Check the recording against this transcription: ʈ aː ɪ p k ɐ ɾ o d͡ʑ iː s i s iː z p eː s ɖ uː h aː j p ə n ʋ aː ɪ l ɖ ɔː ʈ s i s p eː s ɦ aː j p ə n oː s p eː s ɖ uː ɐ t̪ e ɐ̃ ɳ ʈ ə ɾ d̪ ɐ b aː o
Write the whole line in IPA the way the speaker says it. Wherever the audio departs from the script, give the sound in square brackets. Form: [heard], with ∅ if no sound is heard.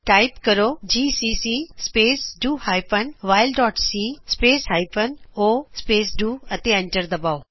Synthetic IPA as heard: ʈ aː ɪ p k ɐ ɾ o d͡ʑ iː s i s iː [s] p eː s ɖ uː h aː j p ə n ʋ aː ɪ l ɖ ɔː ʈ s i s p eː s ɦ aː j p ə n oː s p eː s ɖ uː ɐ t̪ e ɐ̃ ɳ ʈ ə ɾ d̪ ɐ b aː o

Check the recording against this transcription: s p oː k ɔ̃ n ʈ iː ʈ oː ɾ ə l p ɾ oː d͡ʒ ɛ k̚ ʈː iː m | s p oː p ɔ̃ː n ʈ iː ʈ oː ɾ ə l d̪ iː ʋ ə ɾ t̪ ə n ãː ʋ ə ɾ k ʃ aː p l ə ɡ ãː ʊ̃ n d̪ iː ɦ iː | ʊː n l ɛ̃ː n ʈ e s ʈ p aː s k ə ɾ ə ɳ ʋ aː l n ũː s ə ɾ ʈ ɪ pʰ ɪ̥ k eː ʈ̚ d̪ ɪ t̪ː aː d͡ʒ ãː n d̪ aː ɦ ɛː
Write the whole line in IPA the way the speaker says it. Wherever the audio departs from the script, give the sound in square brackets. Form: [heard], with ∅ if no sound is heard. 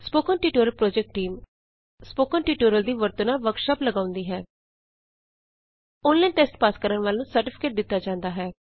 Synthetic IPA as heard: s p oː k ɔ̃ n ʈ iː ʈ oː ɾ ə l p ɾ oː d͡ʒ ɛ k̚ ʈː iː m | s p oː [k] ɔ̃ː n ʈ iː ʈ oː ɾ ə l d̪ iː ʋ ə ɾ t̪ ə n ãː ʋ ə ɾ k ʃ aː p l ə ɡ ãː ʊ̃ n d̪ iː ɦ [ɛː] | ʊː n l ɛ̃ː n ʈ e s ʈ p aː s k ə ɾ ə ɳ ʋ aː l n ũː s ə ɾ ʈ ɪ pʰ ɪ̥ k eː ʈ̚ d̪ ɪ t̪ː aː d͡ʒ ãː n d̪ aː ɦ ɛː

